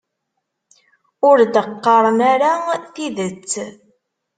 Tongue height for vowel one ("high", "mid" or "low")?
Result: high